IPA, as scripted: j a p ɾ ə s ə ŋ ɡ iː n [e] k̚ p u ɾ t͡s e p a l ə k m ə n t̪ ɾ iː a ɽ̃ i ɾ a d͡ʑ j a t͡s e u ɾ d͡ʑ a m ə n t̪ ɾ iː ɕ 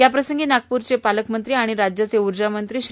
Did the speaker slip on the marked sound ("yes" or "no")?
yes